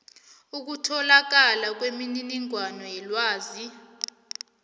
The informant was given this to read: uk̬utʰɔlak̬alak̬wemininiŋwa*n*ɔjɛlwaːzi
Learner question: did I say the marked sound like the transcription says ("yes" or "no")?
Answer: yes